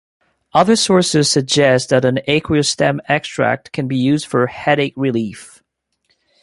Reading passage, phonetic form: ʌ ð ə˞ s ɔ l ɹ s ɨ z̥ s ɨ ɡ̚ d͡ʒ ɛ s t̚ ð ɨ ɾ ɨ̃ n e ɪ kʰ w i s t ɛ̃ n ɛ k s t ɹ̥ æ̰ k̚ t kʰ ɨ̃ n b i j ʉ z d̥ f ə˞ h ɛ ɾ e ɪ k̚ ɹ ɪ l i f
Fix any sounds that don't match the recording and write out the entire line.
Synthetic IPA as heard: ʌ ð ə˞ s ɔ ɹ s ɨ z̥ s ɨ ɡ̚ d͡ʒ ɛ s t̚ ð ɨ ɾ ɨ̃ n e ɪ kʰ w i s t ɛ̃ m ɛ k s t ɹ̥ æ̰ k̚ t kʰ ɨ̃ n b i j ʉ z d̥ f ə˞ h ɛ ɾ e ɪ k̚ ɹ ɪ l i f

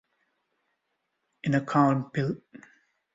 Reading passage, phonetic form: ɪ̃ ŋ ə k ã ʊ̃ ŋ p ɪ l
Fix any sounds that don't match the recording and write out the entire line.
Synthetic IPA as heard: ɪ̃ n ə kʰ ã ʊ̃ n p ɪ l

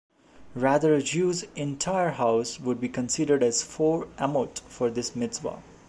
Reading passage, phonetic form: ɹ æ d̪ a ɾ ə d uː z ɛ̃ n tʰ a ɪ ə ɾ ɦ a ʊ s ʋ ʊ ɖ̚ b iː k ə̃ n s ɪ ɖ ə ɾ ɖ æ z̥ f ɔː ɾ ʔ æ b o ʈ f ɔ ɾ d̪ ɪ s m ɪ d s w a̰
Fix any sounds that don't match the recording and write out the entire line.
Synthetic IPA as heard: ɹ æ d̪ ə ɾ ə d͡ʒ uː z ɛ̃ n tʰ a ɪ ə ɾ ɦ a ʊ s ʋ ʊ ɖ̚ b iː k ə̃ n s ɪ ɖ ə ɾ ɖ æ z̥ f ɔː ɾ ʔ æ m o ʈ f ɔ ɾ d̪ ɪ s m ɪ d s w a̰

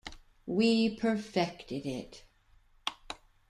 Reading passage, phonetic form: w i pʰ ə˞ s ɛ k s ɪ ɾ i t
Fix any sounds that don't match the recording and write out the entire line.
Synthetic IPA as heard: w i pʰ ə˞ f ɛ k t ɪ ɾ ɪ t

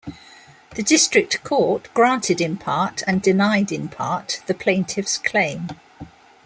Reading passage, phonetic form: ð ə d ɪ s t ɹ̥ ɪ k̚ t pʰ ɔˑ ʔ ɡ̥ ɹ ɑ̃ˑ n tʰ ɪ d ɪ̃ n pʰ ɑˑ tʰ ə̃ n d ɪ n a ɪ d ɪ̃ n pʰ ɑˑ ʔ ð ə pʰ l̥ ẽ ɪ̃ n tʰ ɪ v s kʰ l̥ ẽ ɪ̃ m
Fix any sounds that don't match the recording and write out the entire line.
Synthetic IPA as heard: ð ə d ɪ s t ɹ̥ ɪ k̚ t kʰ ɔˑ ʔ ɡ̥ ɹ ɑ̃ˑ n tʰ ɪ d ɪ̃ n pʰ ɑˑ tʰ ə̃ n d ɪ n a ɪ d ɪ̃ n pʰ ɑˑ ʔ ð ə pʰ l̥ ẽ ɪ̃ n tʰ ɪ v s kʰ l̥ ẽ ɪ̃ m

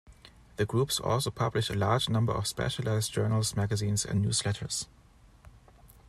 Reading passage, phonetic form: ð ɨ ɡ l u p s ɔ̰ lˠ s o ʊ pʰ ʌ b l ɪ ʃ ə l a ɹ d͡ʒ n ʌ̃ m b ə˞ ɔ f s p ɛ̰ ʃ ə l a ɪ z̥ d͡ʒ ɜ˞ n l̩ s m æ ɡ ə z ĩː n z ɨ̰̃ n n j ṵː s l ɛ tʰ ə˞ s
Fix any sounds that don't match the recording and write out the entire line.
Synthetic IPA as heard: ð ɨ ɡ ɹ u p s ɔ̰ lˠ s o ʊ pʰ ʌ b l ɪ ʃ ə l a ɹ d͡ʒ n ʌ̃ m b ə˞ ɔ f s p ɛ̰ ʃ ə l a ɪ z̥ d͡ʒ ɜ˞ n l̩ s m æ ɡ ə z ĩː n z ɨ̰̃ n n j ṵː s l ɛ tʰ ə˞ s

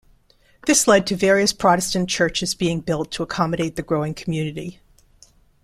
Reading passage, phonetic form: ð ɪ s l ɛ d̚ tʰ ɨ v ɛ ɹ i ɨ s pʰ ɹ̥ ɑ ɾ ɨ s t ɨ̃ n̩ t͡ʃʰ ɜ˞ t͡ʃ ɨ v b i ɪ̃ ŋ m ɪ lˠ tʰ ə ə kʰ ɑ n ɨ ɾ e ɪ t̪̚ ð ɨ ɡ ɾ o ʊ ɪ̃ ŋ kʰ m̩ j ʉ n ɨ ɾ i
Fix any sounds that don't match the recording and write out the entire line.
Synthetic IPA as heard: ð ɪ s l ɛ d̚ tʰ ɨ v ɛ ɹ i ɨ s pʰ ɹ̥ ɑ ɾ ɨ s t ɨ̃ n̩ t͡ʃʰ ɜ˞ t͡ʃ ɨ z b i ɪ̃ ŋ b ɪ lˠ tʰ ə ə kʰ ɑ m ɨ ɾ e ɪ t̪̚ ð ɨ ɡ ɹ o ʊ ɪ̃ ŋ kʰ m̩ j ʉ n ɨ ɾ i

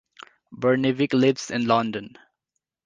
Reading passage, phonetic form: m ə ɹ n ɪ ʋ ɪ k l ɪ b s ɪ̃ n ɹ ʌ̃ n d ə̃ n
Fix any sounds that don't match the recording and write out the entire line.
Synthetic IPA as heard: b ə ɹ n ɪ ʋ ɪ k l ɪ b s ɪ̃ n l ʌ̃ n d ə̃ n

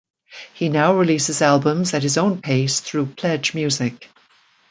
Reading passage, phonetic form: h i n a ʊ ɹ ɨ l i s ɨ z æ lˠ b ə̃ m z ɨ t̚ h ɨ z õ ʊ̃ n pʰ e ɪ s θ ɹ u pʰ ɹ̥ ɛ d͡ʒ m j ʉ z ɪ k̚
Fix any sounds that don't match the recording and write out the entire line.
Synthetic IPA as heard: h i n a ʊ ɹ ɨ l i s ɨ z æ lˠ b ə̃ m z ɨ t̚ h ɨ z õ ʊ̃ n pʰ e ɪ s θ ɹ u pʰ l̥ ɛ d͡ʒ m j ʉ z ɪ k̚

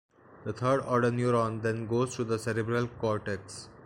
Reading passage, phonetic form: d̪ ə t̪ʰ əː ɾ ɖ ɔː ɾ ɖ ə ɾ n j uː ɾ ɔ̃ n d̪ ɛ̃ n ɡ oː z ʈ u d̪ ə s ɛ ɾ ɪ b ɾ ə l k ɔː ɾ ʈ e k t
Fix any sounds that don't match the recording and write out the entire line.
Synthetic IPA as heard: d̪ ə t̪ʰ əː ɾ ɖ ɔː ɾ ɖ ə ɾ n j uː ɾ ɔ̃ n d̪ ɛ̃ n ɡ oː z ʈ u d̪ ə s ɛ ɾ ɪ b ɾ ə l k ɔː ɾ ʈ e k s

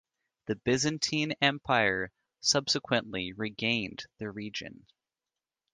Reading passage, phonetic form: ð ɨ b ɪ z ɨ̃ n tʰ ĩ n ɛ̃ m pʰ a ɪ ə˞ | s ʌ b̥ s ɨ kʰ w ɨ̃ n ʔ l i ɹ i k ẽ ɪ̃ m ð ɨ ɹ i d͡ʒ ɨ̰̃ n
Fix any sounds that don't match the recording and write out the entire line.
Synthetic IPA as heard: ð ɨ b ɪ z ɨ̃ n tʰ ĩ n ɛ̃ m pʰ a ɪ ə˞ | s ʌ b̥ s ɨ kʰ w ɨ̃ n ʔ l i ɹ i ɡ ẽ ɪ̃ n ð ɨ ɹ i d͡ʒ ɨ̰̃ n

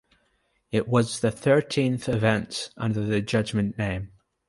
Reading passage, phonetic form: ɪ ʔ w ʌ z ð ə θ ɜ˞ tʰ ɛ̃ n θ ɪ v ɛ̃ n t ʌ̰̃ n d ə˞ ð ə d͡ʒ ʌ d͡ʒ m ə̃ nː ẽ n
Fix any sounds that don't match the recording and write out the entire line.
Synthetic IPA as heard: ɪ ʔ w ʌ z ð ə θ ɜ˞ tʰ ĩ n θ ɪ v ɛ̃ n t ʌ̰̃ n d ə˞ ð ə d͡ʒ ʌ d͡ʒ m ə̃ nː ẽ m

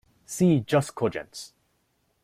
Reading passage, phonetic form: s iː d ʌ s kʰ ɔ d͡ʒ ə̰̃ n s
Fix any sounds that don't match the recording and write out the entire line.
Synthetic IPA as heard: s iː d͡ʒ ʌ s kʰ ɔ d͡ʒ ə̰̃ n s

